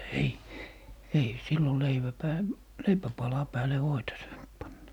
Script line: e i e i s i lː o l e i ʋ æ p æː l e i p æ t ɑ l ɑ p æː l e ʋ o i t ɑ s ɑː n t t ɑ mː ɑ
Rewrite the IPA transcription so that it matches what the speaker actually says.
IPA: e i e i s i lː o l e i ʋ æ p æː l e i p æ p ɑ l ɑ p æː l e ʋ o i t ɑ s ɑː n t p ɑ nː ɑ